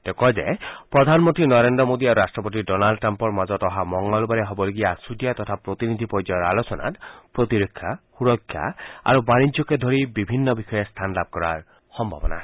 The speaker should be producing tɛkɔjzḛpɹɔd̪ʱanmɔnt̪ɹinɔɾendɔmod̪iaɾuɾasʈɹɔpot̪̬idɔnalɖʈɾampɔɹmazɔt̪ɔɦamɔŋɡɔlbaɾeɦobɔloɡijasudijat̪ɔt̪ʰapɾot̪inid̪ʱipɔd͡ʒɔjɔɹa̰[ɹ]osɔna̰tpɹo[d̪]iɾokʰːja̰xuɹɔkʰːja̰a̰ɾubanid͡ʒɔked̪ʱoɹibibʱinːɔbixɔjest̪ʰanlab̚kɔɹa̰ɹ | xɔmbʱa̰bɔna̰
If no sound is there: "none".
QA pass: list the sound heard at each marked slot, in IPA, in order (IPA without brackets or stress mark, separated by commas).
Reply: l, t̪